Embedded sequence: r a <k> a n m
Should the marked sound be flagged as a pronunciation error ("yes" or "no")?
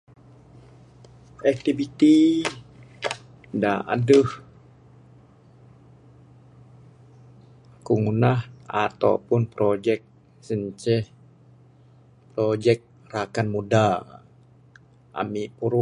no